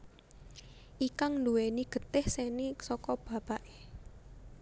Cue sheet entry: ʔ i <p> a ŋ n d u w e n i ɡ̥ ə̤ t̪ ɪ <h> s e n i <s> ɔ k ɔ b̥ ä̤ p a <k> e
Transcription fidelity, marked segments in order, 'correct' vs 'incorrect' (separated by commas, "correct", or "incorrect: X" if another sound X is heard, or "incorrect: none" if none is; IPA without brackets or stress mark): incorrect: k, correct, correct, incorrect: ʔ